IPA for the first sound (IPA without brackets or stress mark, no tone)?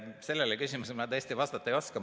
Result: s